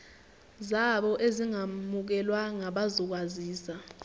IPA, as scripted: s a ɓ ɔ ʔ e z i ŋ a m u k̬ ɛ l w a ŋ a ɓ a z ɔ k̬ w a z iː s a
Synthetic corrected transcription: z a ɓ ɔ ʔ e z i ŋ a m u k̬ ɛ l w a ŋ a ɓ a z ɔ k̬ w a z iː s a